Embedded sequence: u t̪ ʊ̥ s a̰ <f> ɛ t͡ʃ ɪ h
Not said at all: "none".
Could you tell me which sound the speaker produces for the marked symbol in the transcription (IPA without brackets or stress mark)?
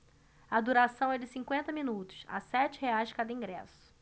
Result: s